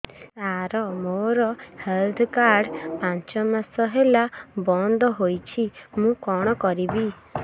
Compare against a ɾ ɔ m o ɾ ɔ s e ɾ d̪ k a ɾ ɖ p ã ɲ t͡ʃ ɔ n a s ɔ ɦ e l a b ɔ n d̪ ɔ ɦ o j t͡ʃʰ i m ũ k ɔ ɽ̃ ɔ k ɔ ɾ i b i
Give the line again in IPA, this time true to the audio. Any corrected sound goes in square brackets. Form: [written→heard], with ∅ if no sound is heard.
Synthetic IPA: a ɾ ɔ m o ɾ ɔ [s→h] e [ɾ→l] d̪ k a ɾ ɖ p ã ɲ t͡ʃ ɔ [n→m] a s ɔ ɦ e l a b ɔ n d̪ ɔ ɦ o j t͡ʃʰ i m ũ k ɔ ɽ̃ ɔ k ɔ ɾ i b i